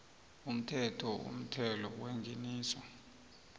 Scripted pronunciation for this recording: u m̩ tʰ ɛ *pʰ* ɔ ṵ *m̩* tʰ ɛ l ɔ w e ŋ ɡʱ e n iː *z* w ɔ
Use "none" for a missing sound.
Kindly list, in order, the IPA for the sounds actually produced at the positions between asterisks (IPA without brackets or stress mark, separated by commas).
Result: tʰ, m̩, s